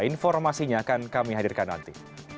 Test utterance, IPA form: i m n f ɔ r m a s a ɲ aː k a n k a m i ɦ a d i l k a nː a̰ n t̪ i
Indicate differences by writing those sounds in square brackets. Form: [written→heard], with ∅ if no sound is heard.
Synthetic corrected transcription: i [m→∅] n f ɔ r m a s [a→i] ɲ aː k a n k a m i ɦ a d i [l→r] k a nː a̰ n t̪ i